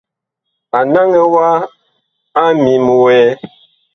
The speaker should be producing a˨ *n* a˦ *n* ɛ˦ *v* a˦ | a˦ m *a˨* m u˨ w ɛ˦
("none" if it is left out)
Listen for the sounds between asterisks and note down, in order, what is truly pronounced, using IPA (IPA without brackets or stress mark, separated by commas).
n, ŋ, w, i˨